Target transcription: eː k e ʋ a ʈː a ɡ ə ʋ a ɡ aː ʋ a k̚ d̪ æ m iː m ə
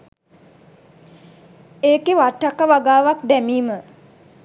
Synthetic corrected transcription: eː k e ʋ a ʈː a k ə ʋ a ɡ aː ʋ a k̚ d̪ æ m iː m ə